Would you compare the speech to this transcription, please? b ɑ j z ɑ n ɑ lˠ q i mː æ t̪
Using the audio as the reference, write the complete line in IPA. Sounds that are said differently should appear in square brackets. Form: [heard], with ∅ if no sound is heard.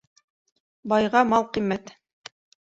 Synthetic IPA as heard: b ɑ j [ʁ] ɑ [m] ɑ lˠ q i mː æ t̪